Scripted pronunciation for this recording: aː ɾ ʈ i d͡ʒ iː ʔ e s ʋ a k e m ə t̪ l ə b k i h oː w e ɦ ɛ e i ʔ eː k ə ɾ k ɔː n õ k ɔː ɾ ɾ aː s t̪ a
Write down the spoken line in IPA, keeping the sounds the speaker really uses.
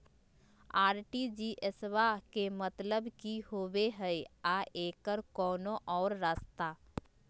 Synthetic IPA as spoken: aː ɾ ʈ i d͡ʒ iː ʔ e s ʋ a k e m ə t̪ l ə b k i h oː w e ɦ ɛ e a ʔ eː k ə ɾ k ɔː n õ ʔ ɔː ɾ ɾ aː s t̪ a